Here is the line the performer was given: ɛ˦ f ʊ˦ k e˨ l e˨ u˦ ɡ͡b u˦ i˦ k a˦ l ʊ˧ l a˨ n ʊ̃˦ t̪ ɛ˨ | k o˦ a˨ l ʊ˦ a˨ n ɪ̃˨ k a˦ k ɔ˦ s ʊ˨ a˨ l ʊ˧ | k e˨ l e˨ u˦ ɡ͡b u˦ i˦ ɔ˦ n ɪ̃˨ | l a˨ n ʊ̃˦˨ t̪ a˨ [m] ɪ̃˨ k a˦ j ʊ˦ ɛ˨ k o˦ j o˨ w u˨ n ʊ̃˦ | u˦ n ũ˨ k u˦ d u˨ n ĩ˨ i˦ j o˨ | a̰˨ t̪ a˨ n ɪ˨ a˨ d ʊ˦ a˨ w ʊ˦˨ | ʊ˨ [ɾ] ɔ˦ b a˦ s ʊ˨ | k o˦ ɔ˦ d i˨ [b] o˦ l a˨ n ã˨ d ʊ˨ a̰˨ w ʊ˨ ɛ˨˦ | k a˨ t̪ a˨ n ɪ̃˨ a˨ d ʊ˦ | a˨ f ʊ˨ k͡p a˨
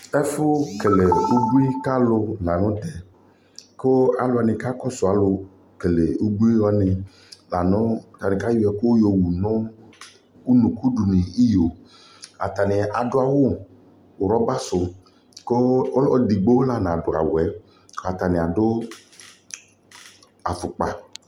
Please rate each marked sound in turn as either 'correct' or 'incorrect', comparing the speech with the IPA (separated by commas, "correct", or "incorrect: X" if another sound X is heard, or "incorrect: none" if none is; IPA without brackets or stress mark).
incorrect: n, correct, incorrect: ɡ͡b